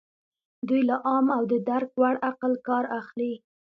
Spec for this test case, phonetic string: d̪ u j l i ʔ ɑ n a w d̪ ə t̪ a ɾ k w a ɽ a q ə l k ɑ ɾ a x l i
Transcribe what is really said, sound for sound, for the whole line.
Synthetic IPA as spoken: d̪ u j l a ʔ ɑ m a w d̪ ə d̪ a ɾ k w a ɽ a q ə l k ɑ ɾ a x l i